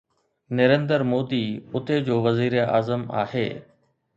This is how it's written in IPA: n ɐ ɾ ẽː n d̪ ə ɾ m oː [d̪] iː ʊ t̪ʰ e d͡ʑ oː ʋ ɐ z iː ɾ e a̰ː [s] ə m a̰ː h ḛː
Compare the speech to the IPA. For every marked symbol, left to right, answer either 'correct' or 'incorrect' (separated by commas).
correct, incorrect